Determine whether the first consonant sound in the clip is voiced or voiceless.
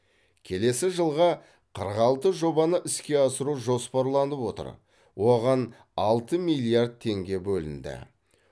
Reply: voiceless